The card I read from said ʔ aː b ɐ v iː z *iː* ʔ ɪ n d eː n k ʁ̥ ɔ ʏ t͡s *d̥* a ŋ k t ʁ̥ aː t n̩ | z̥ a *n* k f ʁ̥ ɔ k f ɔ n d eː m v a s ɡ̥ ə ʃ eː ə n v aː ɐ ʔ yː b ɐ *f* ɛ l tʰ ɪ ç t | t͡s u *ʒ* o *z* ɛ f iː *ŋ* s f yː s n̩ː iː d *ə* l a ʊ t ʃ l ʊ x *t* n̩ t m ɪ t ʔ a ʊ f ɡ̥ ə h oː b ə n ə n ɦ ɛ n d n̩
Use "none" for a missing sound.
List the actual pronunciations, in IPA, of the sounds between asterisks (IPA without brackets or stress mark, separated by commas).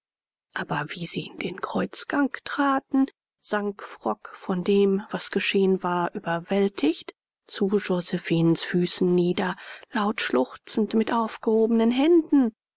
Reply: iː, ɡ̥, ŋ, v, ʒ, z, n, ɐ, t͡s